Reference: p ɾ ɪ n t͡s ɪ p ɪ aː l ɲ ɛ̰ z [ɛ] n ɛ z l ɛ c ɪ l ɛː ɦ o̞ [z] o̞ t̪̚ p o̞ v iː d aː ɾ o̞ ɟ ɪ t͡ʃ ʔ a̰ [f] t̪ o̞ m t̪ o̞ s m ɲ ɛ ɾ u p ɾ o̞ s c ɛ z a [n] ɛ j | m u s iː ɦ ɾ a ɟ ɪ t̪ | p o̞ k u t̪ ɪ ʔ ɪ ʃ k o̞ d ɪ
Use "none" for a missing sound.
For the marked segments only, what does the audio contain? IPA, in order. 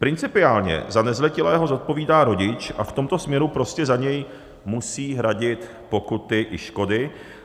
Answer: a, z, f, ɲ

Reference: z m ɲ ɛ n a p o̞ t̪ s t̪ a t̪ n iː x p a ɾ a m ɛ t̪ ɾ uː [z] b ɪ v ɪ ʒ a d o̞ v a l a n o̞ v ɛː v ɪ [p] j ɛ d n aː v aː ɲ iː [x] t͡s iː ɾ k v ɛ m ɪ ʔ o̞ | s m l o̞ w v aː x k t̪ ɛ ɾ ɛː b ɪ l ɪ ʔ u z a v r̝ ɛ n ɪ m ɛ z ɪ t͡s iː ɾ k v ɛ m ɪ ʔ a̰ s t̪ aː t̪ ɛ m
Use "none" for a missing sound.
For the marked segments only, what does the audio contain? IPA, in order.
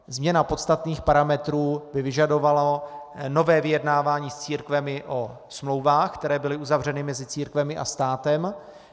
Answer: none, none, s

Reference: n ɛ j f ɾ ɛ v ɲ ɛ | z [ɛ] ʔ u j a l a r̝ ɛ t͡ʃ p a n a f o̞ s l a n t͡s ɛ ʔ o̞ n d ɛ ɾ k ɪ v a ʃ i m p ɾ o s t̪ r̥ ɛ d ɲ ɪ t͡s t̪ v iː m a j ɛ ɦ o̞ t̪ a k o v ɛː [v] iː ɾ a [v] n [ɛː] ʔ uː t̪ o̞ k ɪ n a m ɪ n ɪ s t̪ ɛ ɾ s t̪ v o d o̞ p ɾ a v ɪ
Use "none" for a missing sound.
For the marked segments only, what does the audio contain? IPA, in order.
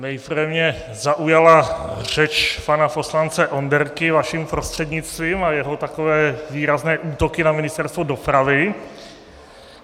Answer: a, v, z, ɛː

